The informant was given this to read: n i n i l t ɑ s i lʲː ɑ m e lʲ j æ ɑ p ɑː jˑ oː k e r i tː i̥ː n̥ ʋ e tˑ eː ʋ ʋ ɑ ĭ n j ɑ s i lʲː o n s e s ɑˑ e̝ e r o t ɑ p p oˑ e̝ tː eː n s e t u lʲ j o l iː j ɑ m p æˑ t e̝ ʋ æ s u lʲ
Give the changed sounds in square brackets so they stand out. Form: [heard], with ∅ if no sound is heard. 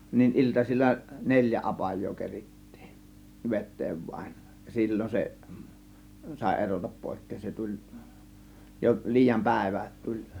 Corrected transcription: n i n i l t ɑ s i lʲː ɑ [n] e lʲ j æ ɑ p [ɑ] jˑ oː k e r i tː i̥ː n̥ ʋ e tˑ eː ʋ ʋ ɑ ĭ n j ɑ s i lʲː o n s e s ɑˑ e̝ e r o t ɑ p p oˑ e̝ [kː] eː n s e t u lʲ j o l iː j ɑ m p æˑ [∅] e̝ ʋ æ [t] u lʲ